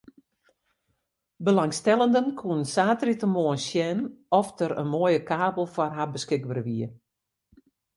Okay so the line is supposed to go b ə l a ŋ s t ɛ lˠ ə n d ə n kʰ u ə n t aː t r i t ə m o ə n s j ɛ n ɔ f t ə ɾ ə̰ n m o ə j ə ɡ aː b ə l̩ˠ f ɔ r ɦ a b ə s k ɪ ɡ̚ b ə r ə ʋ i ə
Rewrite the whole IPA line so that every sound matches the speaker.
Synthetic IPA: b ə l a ŋ s t ɛ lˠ ə n d ə n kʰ u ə n s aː t r i t ə m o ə n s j ɛ n ɔ f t ə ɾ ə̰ n m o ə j ə k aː b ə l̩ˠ f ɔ r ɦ a b ə s k ɪ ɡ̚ b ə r ə ʋ i ə